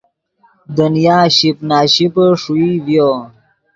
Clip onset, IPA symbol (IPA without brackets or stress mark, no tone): d̪